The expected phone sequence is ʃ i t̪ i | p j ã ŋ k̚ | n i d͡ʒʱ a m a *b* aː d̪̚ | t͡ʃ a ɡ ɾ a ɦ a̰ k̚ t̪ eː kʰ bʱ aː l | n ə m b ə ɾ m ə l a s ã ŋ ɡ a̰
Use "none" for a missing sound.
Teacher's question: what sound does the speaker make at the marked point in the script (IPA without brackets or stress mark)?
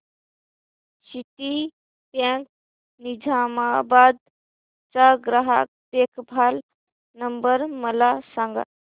b